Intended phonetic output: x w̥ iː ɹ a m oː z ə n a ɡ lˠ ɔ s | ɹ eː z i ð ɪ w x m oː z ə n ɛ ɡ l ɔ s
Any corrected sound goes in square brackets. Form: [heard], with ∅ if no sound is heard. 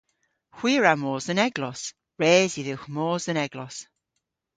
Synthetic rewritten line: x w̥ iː ɹ a m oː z ə n [ɛ] ɡ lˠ ɔ s | ɹ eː z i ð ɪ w x m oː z ə n ɛ ɡ l ɔ s